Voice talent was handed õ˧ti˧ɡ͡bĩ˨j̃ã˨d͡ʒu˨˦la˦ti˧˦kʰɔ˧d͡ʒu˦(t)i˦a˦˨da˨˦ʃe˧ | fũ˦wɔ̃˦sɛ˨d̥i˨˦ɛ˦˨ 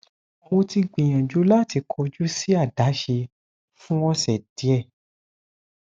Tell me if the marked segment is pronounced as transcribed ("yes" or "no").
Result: no